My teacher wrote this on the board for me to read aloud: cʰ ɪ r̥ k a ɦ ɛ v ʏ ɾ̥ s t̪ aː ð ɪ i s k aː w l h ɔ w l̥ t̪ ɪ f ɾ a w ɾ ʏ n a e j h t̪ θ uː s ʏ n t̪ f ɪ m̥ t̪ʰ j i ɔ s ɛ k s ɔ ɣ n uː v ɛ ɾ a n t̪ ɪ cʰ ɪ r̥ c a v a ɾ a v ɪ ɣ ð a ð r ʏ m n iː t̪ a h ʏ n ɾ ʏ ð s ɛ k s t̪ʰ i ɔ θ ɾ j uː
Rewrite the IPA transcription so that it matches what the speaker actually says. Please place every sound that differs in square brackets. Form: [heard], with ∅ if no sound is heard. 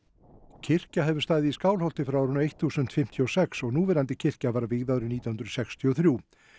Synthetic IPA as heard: cʰ ɪ r̥ [c] a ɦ ɛ v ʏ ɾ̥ s t̪ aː ð ɪ i s k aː w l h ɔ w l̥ t̪ ɪ f ɾ a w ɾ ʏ n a e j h t̪ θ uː s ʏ n t̪ f ɪ m̥ t̪ʰ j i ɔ s ɛ k s ɔ ɣ n uː v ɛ ɾ a n t̪ ɪ cʰ ɪ r̥ c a v a ɾ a v ɪ ɣ ð a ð [ɾ] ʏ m n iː t̪ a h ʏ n ɾ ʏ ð s ɛ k s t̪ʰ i ɔ θ ɾ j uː